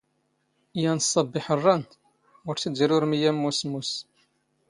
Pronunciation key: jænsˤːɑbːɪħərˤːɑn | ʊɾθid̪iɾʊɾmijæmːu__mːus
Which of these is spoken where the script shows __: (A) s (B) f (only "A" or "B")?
A